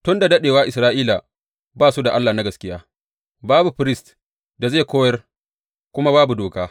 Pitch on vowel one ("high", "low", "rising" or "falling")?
high